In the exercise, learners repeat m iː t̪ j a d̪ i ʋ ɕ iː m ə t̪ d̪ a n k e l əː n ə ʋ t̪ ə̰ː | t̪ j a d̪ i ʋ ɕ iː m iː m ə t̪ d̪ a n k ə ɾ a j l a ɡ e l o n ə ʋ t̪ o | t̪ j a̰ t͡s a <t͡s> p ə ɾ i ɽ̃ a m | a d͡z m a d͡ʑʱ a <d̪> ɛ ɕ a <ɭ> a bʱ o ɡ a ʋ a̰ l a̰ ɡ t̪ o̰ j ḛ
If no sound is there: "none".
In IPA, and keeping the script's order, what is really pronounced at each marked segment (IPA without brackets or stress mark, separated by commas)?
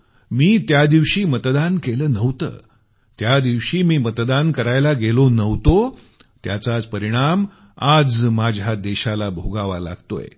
t͡s, d̪, l